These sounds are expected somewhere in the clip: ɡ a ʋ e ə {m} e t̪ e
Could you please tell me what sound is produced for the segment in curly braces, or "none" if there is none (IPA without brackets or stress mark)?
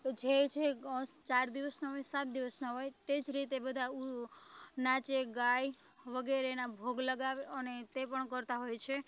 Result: n